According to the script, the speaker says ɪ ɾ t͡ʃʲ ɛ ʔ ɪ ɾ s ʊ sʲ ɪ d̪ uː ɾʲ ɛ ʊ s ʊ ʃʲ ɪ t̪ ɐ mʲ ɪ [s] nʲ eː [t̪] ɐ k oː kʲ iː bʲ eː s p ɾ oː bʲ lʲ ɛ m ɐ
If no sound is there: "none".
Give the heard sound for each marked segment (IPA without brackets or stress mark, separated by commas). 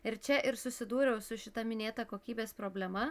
none, t̪